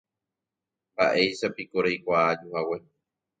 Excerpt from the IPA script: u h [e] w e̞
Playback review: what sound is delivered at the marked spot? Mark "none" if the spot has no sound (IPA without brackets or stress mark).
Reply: a